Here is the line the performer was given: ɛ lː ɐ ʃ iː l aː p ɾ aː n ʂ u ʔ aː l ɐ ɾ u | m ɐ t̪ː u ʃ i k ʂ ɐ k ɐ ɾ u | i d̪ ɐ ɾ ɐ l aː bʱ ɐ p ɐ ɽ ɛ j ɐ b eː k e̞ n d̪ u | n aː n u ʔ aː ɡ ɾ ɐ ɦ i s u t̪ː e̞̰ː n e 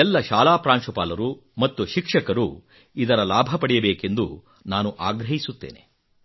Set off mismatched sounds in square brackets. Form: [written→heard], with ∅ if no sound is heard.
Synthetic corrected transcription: ɛ lː ɐ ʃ [iː→aː] l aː p ɾ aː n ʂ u [ʔ→p] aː l ɐ ɾ u | m ɐ t̪ː u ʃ i k ʂ ɐ k ɐ ɾ u | i d̪ ɐ ɾ ɐ l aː bʱ ɐ p ɐ ɽ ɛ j ɐ b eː k e̞ n d̪ u | n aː n u ʔ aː ɡ ɾ ɐ ɦ i s u t̪ː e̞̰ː n e